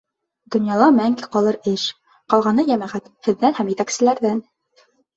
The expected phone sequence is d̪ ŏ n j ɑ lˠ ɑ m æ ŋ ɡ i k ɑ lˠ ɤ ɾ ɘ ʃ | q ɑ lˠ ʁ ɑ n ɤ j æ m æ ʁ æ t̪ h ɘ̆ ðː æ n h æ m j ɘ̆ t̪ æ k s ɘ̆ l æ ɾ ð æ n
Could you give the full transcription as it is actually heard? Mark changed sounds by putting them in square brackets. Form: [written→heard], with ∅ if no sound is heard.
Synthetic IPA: d̪ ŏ n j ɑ lˠ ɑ m æ ŋ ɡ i [k→q] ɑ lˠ ɤ ɾ ɘ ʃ | q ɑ lˠ ʁ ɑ n ɤ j æ m æ ʁ æ t̪ h ɘ̆ ðː æ n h æ m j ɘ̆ t̪ æ k s ɘ̆ l æ ɾ ð æ n